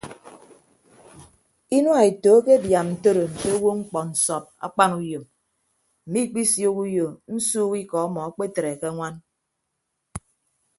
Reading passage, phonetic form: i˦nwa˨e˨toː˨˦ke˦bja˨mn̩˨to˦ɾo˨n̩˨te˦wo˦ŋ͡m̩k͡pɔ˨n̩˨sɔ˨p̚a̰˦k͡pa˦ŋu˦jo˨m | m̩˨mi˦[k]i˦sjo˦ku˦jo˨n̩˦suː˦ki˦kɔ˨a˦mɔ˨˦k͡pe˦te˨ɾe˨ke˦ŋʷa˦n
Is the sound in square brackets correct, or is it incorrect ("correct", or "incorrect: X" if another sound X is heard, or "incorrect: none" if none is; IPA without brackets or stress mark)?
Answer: incorrect: k͡p